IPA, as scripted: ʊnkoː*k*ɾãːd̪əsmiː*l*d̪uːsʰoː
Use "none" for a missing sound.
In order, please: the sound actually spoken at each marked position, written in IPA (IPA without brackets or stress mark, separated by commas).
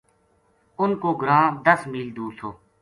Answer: ɡ, l